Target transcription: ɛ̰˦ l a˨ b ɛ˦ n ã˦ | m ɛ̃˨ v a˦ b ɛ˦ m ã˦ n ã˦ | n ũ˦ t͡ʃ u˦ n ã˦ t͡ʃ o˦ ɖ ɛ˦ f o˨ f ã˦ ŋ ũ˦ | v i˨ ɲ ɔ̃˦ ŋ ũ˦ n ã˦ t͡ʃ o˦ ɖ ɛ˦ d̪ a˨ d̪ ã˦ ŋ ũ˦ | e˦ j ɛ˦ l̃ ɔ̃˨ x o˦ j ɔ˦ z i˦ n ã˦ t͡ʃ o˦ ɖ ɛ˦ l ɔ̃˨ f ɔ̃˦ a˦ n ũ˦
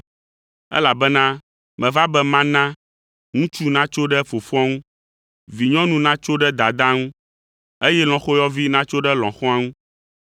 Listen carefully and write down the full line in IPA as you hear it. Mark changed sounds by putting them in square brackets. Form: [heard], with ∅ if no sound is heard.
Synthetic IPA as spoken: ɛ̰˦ l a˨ b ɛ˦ n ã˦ | m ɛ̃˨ v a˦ b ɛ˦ m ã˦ n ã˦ | [ŋ] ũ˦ t͡ʃ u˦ n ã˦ t͡ʃ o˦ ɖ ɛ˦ f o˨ f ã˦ ŋ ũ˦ | v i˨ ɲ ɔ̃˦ [n] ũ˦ n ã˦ t͡ʃ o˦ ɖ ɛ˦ d̪ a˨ d̪ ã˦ ŋ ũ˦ | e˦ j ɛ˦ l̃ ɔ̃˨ x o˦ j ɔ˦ [v] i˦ n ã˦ t͡ʃ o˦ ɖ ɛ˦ l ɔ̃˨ [x] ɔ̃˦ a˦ [ŋ] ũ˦